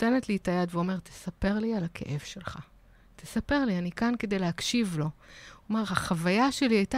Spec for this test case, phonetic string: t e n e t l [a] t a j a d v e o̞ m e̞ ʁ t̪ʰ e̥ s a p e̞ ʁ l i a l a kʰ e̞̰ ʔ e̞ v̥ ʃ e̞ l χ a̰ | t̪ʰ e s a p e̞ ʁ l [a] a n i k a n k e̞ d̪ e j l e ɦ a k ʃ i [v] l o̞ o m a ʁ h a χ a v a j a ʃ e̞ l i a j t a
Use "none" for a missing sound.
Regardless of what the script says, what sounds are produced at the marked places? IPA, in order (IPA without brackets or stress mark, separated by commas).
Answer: i, i, v